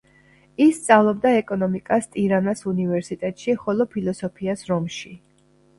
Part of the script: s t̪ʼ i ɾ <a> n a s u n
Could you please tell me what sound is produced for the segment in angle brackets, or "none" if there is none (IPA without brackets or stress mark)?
a